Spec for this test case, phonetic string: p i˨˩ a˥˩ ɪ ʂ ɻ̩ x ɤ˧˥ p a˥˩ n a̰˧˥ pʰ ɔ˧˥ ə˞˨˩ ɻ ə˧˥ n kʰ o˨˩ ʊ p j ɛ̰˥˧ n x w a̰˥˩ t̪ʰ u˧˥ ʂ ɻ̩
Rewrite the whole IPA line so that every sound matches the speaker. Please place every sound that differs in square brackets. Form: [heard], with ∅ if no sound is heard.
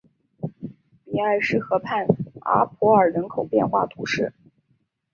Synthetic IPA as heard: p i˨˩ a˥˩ ɪ ʂ ɻ̩ x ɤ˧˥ [pʰ] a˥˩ n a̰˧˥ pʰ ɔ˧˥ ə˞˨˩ ɻ ə˧˥ n kʰ o˨˩ ʊ p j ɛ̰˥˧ n x w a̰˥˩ t̪ʰ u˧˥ ʂ ɻ̩